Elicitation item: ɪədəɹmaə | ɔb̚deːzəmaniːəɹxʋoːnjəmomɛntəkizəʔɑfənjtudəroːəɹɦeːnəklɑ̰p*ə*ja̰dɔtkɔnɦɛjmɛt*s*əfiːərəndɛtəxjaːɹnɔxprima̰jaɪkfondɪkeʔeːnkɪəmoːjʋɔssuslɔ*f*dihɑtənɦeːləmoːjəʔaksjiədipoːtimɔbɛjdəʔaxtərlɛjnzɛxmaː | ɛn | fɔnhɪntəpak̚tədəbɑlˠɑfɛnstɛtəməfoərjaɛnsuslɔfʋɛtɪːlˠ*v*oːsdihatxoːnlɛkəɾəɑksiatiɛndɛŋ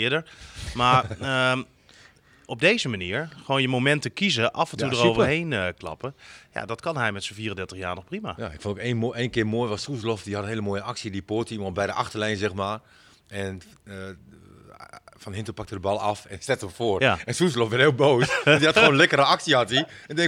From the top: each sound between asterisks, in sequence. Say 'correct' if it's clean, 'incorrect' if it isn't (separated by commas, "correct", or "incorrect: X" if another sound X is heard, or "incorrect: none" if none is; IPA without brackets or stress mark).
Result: correct, correct, correct, incorrect: b